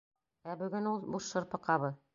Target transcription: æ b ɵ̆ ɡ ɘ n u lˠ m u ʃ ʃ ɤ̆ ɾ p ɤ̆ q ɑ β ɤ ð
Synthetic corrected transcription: æ b ɵ̆ ɡ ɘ n u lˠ b u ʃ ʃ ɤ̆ ɾ p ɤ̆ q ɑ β ɤ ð